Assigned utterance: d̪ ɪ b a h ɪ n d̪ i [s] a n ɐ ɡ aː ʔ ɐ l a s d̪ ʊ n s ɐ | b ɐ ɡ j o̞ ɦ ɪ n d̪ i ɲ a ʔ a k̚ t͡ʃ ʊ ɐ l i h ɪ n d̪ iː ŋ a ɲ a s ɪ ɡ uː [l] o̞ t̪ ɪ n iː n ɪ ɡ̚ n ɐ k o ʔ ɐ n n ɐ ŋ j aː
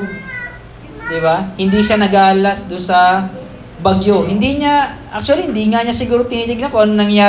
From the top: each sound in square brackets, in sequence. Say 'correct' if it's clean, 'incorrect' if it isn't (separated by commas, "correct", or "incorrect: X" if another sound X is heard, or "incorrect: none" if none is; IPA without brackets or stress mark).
incorrect: ʃ, incorrect: ɾ